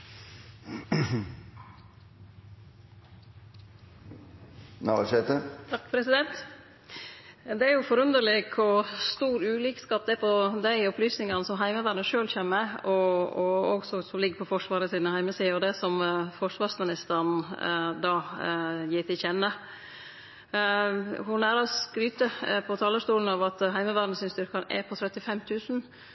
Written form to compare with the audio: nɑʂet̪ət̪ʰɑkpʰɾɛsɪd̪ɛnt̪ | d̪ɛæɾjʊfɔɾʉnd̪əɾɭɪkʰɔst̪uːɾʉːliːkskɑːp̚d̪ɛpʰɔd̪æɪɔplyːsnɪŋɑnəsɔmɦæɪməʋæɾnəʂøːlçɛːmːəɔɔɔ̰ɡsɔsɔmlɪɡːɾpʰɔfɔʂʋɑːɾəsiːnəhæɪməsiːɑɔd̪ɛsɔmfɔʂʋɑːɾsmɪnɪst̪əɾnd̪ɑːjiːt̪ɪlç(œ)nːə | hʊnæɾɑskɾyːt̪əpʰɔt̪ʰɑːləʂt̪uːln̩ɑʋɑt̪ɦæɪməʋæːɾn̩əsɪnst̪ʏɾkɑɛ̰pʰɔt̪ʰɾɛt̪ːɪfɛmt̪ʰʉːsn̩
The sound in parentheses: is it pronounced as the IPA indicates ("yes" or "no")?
no